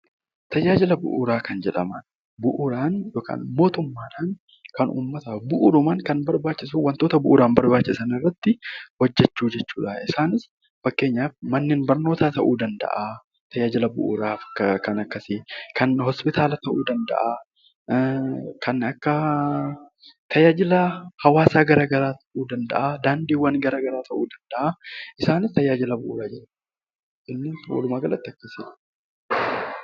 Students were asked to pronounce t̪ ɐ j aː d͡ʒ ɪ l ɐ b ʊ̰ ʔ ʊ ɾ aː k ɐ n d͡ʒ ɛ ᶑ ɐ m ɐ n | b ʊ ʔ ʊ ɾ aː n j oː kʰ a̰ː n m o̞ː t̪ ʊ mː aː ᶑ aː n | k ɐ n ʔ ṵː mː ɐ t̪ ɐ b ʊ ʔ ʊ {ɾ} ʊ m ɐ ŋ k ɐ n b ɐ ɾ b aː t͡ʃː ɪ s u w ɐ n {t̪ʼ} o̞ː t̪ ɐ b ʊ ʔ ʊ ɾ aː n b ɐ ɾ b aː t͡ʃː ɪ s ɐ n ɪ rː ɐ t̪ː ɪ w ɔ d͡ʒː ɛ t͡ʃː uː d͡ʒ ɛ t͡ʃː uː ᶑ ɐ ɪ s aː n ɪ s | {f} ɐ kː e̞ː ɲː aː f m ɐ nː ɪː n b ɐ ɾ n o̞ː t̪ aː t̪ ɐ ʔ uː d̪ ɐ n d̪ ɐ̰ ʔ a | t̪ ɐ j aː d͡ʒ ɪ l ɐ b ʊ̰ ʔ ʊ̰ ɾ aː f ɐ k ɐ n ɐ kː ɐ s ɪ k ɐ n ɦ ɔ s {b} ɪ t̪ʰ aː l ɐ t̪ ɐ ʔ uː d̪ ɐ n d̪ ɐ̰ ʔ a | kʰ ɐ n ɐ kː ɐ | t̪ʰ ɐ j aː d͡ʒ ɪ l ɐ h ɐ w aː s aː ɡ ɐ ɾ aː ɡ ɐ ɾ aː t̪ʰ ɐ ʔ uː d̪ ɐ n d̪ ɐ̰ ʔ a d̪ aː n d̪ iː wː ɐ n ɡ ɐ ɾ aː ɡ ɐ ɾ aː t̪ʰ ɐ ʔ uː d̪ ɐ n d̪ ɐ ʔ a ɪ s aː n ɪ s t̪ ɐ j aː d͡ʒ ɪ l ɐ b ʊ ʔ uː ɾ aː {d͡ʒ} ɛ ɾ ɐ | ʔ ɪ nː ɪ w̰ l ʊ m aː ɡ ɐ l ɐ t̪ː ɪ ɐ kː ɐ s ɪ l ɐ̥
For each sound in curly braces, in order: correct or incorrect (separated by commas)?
correct, incorrect, correct, incorrect, correct